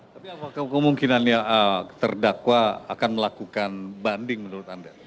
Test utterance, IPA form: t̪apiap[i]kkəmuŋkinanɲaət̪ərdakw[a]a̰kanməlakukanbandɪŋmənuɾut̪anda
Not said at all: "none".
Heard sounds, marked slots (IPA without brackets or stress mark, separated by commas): a, a